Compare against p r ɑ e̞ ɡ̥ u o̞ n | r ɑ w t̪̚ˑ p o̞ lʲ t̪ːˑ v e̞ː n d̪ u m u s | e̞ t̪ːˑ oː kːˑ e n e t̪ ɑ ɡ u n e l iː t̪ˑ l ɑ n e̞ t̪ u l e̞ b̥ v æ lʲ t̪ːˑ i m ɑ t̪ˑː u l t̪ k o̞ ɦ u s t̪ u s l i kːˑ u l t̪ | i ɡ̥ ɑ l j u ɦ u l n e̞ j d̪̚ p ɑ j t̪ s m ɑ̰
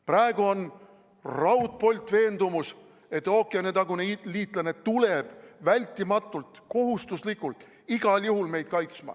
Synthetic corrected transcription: p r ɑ e̞ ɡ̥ u o̞ n | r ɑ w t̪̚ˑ p o̞ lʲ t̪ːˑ v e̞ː n d̪ u m u s | e̞ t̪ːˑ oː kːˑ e n e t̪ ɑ ɡ u n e l iː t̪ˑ l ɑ n e̞ t̪ u l e̞ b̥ v æ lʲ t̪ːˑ i m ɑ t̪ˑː u l t̪ k o̞ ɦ u s t̪ u s l i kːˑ u l t̪ | i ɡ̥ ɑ l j u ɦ u l m e̞ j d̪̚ k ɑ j t̪ s m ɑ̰